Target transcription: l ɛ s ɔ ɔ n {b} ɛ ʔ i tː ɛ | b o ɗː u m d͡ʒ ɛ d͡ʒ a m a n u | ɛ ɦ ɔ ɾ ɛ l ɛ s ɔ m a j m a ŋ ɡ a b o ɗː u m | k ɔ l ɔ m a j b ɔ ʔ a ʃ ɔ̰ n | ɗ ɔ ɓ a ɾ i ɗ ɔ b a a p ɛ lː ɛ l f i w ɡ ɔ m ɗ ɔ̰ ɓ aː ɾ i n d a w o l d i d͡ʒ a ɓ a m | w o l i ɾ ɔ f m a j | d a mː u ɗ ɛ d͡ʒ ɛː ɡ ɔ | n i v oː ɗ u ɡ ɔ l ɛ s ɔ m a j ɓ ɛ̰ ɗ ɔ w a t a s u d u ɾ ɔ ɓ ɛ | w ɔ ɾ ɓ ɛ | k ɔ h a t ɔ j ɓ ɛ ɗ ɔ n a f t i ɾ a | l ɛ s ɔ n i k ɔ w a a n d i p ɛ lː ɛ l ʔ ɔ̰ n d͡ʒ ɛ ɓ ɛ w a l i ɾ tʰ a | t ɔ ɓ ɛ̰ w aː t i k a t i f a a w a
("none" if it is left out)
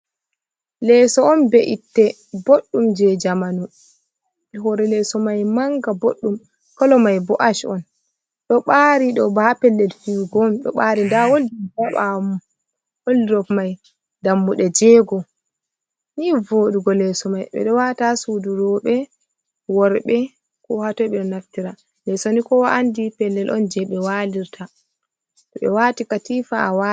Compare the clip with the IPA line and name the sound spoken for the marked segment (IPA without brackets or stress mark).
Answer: b